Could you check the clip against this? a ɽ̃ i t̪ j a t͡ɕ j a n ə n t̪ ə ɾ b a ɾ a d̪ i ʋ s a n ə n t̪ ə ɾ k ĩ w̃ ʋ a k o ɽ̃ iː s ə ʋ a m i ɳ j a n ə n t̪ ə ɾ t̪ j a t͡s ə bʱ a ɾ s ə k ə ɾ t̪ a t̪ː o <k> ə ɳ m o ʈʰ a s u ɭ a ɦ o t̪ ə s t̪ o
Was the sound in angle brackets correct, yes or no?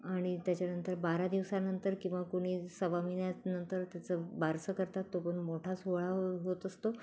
no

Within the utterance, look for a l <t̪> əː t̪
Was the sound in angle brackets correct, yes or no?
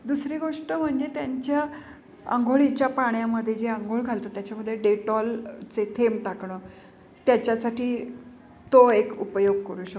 yes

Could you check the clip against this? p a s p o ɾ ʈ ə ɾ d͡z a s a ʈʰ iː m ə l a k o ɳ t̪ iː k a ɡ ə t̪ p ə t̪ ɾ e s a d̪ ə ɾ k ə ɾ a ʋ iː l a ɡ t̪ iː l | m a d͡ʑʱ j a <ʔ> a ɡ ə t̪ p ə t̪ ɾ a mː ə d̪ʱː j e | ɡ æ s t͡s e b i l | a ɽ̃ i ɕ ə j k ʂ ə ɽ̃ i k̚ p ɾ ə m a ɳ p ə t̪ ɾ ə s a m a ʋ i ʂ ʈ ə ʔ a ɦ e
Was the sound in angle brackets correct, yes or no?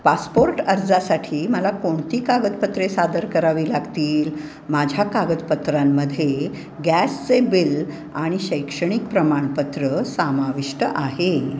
no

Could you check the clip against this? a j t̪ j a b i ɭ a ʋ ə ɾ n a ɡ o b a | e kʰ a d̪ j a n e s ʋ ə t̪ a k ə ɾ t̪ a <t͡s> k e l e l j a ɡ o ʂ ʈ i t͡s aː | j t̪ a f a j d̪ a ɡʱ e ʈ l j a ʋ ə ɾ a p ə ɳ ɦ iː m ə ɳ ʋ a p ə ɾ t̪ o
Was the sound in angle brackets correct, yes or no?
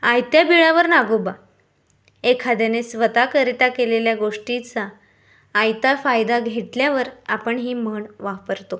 no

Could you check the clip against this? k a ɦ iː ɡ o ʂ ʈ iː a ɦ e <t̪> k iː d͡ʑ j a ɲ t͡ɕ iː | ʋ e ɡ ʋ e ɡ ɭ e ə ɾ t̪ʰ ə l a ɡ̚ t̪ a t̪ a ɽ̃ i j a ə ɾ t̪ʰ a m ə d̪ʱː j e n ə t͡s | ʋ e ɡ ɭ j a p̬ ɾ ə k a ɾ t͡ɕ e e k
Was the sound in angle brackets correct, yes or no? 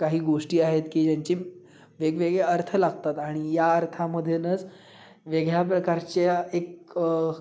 yes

